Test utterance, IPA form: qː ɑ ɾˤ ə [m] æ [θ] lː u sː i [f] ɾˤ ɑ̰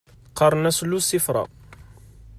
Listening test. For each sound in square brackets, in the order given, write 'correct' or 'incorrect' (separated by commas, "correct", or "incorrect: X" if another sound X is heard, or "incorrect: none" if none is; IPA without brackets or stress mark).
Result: incorrect: n, incorrect: s, correct